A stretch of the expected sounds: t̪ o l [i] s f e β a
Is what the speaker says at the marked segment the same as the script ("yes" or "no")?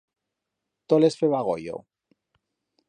no